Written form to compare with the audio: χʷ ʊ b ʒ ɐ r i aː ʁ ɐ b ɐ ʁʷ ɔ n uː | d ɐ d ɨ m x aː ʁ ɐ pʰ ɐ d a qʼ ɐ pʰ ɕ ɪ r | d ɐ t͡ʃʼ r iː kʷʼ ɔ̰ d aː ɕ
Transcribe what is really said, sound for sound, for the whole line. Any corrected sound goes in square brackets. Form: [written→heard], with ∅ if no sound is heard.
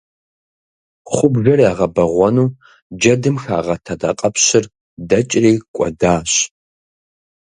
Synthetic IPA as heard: χʷ ʊ b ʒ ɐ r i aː ʁ ɐ b ɐ ʁʷ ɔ n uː | [d→d͡ʒ] ɐ d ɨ m x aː ʁ ɐ [pʰ→tʰ] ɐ d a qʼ ɐ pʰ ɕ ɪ r | d ɐ t͡ʃʼ r iː kʷʼ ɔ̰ d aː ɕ